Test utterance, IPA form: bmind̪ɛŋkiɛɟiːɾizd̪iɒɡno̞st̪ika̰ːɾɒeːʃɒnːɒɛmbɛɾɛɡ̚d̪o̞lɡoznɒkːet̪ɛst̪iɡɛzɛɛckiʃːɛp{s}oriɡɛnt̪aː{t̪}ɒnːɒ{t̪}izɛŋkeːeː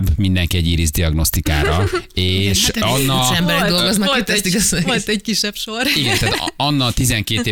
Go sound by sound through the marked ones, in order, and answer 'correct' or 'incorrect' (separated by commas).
incorrect, correct, correct